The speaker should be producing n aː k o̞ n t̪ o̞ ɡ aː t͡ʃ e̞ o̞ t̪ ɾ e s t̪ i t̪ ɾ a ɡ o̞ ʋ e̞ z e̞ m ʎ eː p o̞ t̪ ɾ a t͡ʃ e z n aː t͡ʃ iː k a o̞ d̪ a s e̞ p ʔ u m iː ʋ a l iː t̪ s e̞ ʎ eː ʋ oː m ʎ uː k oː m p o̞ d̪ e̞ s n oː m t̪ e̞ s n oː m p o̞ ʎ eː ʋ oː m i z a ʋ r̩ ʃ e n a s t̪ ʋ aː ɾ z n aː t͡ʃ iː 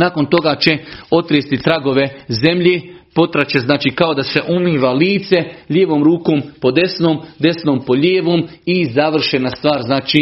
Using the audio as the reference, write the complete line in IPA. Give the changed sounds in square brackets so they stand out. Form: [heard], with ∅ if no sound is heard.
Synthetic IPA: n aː k o̞ n t̪ o̞ ɡ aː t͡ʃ e̞ o̞ t̪ ɾ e s t̪ i t̪ ɾ a ɡ o̞ ʋ e̞ z e̞ m ʎ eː p o̞ t̪ ɾ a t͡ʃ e z n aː t͡ʃ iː k a o̞ d̪ a s e̞ [∅] ʔ u m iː ʋ a l iː t̪ s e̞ ʎ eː ʋ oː m [ɾ] uː k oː m p o̞ d̪ e̞ s n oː m [d̪] e̞ s n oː m p o̞ ʎ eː ʋ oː m i z a ʋ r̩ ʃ e n a s t̪ ʋ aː ɾ z n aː t͡ʃ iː